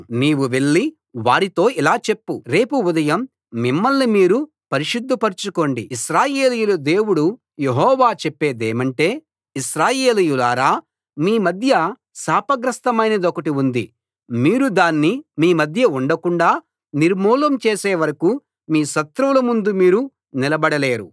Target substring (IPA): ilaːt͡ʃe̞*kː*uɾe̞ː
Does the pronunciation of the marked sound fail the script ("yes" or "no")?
yes